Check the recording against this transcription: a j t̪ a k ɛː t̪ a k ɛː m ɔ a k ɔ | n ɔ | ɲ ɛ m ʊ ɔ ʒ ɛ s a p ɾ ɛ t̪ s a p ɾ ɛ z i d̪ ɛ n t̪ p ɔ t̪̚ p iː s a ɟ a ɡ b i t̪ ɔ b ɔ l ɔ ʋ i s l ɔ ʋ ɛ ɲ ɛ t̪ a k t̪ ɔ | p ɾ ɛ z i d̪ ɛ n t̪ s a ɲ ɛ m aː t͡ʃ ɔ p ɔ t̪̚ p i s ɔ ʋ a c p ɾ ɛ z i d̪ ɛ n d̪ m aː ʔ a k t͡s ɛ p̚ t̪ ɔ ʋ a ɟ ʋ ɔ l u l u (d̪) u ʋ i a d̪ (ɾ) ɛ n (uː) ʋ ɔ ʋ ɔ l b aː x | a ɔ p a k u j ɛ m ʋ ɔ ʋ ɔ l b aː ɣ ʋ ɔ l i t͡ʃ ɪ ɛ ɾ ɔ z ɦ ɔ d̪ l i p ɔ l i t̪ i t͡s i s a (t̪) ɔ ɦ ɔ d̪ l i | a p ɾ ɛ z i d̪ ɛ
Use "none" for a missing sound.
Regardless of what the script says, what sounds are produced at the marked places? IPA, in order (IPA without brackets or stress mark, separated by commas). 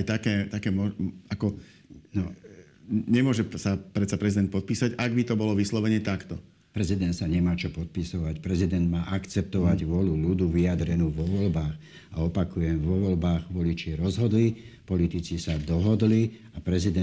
d̪, ɾ, uː, d̪